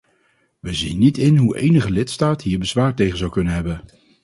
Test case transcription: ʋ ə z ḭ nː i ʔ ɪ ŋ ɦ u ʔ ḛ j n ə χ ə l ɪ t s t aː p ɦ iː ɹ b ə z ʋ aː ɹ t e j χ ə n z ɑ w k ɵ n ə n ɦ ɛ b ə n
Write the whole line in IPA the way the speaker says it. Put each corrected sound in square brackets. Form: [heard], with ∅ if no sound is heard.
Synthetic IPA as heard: ʋ ə z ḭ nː i [t] ɪ [n] ɦ u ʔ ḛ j n ə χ ə l ɪ t s t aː [t] ɦ iː ɹ b ə z ʋ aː ɹ t e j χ ə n z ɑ w k ɵ n ə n ɦ ɛ b ə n